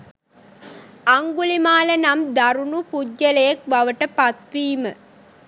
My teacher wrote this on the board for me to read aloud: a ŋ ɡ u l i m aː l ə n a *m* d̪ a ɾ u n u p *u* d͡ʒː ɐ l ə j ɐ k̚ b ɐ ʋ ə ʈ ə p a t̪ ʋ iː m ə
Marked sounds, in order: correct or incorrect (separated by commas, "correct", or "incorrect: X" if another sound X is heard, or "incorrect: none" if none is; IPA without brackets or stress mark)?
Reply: correct, correct